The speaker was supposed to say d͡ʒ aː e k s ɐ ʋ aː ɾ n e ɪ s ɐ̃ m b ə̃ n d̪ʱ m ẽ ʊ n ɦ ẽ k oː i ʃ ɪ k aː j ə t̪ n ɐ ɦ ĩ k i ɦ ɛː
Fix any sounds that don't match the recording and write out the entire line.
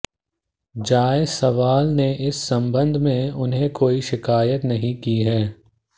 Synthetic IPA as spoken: d͡ʒ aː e s ɐ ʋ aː l n e ɪ sː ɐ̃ m b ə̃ n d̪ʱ m ẽ ʊ n ɦ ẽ k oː i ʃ ɪ k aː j ə t̪ n ɐ ɦ ĩ k i ɦ ɛː